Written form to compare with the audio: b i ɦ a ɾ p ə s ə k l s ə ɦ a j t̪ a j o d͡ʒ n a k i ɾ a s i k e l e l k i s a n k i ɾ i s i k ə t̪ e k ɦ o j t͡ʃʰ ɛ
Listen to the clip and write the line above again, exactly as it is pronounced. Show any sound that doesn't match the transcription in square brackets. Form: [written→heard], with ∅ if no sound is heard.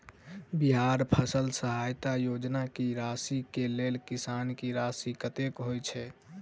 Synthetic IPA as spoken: b i ɦ a ɾ [p→pʰ] ə s ə [k→∅] l s ə ɦ a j t̪ a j o d͡ʒ n a k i ɾ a s i k e l e l k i s a n k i ɾ [i→a] s i k ə t̪ e k ɦ o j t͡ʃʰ ɛ